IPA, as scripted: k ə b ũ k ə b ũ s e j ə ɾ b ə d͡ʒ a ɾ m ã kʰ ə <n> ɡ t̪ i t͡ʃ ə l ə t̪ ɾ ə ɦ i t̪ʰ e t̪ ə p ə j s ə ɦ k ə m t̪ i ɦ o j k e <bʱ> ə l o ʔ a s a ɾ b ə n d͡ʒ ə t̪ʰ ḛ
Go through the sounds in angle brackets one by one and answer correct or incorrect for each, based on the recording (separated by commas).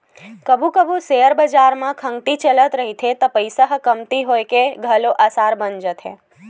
incorrect, incorrect